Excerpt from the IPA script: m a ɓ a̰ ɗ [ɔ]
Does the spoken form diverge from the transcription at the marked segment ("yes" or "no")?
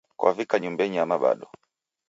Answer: no